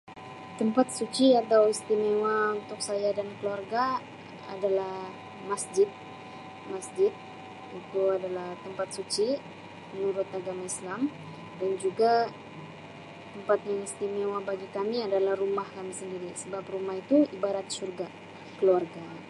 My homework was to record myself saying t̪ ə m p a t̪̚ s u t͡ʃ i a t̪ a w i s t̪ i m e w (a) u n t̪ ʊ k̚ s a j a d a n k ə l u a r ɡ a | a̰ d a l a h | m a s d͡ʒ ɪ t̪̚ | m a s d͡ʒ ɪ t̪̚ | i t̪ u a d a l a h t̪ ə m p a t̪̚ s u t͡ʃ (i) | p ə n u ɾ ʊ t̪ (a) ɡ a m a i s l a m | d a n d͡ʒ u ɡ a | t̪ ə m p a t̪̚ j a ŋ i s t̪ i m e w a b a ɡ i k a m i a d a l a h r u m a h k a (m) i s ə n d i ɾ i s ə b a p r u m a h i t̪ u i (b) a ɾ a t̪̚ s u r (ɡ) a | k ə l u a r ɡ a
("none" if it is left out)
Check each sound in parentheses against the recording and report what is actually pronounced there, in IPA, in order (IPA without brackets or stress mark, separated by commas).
a, i, a, m, b, ɡ